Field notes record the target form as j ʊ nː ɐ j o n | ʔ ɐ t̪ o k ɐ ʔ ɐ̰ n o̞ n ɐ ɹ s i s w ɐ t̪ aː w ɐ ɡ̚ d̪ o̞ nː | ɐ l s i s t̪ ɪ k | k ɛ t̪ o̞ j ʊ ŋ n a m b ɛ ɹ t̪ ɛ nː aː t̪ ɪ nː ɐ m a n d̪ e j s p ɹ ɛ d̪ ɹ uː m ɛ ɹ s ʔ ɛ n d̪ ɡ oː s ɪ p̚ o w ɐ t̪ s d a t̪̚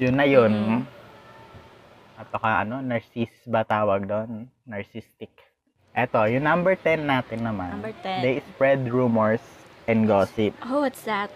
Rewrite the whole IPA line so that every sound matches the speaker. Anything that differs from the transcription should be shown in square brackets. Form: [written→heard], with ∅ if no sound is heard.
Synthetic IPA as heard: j ʊ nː ɐ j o n | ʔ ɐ t̪ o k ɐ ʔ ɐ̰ n o̞ n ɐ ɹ s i s [w→b] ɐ t̪ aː w ɐ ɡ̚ d̪ o̞ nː | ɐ [l→ɹ] s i s t̪ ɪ k | [k→ʔ] ɛ t̪ o̞ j ʊ ŋ n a m b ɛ ɹ t̪ ɛ nː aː t̪ ɪ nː ɐ m a n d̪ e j s p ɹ ɛ d̪ ɹ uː m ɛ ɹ s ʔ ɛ n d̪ ɡ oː s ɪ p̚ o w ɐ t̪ s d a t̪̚